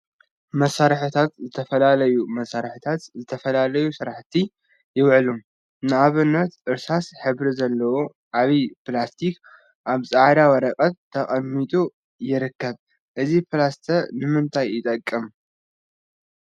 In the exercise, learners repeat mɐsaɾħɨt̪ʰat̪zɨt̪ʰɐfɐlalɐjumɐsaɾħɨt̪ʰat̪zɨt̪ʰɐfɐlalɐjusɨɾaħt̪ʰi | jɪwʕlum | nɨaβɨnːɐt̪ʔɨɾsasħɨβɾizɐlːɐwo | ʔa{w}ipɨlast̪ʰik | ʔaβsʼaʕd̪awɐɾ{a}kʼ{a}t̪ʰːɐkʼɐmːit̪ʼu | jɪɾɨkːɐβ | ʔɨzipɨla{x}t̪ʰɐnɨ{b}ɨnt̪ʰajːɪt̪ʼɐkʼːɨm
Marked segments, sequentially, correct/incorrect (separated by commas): incorrect, incorrect, incorrect, incorrect, incorrect